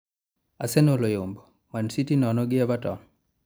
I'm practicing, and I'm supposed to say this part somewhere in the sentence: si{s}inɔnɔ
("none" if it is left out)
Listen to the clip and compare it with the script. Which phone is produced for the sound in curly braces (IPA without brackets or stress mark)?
t